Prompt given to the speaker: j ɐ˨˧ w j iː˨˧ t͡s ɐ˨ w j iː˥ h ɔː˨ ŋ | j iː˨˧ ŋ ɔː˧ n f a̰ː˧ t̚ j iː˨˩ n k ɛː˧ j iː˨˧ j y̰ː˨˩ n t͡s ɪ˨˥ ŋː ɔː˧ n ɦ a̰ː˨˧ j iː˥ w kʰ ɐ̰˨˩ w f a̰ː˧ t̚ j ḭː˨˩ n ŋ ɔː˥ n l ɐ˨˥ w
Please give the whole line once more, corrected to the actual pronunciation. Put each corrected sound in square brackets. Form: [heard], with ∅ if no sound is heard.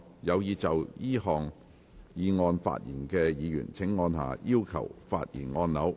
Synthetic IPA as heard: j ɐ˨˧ w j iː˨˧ t͡s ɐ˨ w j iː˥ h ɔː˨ ŋ | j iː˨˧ ŋ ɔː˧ n f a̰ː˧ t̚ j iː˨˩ n k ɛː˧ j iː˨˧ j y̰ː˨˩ n [t͡sʰ] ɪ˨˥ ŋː ɔː˧ n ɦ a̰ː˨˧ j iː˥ w kʰ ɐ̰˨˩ w f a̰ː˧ t̚ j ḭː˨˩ n ŋ [ɔː˧] n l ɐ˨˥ w